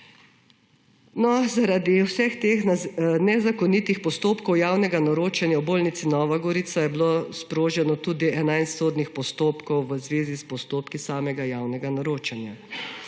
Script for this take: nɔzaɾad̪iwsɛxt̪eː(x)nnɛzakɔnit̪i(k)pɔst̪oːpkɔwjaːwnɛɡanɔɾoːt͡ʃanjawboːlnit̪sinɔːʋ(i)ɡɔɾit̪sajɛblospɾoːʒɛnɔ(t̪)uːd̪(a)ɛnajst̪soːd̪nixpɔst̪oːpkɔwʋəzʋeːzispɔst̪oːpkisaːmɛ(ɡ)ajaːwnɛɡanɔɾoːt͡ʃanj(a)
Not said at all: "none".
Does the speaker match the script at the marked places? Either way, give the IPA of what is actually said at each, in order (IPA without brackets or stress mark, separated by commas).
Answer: x, x, a, t̪, i, ɡ, a